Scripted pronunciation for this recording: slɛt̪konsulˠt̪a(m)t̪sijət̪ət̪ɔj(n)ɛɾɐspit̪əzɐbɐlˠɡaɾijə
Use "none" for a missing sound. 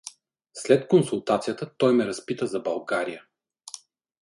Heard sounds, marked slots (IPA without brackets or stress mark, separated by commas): none, m